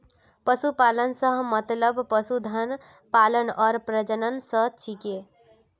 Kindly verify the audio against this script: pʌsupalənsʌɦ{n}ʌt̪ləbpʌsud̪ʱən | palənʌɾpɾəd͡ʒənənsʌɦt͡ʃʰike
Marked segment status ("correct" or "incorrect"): incorrect